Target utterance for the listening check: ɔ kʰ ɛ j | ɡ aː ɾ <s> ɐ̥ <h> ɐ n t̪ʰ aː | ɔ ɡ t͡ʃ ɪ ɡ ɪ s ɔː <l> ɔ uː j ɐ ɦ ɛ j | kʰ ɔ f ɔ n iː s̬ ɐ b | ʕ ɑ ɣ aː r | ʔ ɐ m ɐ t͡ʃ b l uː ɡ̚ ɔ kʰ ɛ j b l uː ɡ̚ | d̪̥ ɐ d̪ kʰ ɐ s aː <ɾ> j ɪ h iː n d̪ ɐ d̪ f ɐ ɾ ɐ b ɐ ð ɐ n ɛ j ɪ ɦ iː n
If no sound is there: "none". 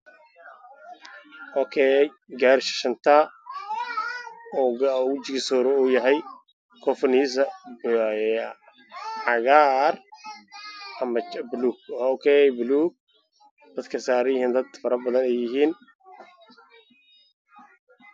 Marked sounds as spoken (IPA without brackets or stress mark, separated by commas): ʃ, ʃ, ɾ, ɾ